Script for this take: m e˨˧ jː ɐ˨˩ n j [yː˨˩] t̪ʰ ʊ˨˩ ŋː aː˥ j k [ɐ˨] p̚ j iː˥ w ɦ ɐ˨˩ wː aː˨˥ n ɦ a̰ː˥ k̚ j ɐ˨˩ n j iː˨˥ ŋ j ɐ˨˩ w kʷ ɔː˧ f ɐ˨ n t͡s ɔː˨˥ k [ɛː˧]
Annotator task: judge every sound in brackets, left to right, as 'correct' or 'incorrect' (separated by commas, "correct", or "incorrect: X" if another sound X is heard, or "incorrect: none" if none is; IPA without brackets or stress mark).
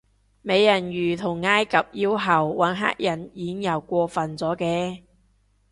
correct, correct, correct